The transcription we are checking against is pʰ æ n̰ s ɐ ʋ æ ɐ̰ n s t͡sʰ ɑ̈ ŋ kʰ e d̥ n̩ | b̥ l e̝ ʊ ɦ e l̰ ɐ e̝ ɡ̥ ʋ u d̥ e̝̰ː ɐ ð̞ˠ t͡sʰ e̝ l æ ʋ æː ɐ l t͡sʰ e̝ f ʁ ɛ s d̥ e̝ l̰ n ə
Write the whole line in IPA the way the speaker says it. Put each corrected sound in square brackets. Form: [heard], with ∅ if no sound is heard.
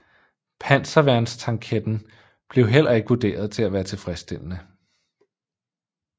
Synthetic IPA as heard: pʰ æ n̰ s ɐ ʋ æ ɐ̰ n s t͡sʰ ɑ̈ ŋ kʰ e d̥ n̩ | b̥ l e̝ ʊ ɦ e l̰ ɐ e̝ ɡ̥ ʋ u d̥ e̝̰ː ɐ ð̞ˠ t͡sʰ e̝ l æ ʋ æː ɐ [∅] t͡sʰ e̝ f ʁ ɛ s d̥ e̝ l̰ n ə